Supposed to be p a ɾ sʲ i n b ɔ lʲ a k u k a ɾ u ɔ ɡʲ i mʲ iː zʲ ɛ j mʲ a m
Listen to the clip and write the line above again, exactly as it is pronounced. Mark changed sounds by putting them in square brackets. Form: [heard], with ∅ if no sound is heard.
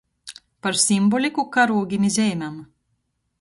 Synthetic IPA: p a ɾ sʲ i [m] b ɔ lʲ [i] k u k a ɾ u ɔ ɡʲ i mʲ [i] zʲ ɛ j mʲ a m